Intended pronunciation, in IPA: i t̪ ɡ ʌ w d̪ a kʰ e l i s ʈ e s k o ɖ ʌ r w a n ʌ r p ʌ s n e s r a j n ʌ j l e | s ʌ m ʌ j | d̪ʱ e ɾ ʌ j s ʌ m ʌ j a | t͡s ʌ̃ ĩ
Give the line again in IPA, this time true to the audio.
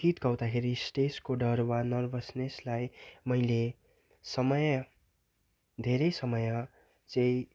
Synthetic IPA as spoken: i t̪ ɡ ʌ w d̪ a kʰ e ɾ i s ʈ e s k o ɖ ʌ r w a n ʌ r b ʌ s n e s l a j m ʌ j l e | s ʌ m ʌ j | d̪ʱ e ɾ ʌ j s ʌ m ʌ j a | t͡s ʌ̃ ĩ